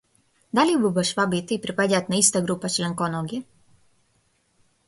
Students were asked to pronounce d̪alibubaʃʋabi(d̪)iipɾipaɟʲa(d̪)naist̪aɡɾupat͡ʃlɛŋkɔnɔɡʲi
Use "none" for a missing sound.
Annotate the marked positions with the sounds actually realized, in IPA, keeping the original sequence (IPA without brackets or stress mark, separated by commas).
t̪, t̪